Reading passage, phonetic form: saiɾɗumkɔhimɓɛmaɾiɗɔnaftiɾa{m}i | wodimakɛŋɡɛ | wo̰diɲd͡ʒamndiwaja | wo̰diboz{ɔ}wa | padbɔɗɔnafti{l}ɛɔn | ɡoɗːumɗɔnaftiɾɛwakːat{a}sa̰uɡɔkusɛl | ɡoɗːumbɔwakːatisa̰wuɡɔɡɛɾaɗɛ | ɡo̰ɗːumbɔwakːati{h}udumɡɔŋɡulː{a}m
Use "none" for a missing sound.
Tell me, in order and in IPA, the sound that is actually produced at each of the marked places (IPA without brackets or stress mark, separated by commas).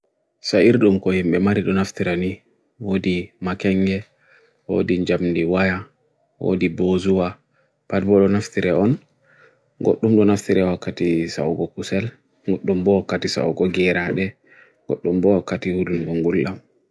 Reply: n, u, ɾ, i, h, a